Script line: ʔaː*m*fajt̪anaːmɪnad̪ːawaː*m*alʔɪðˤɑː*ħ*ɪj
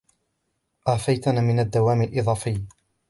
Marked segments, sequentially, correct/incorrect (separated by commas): incorrect, correct, incorrect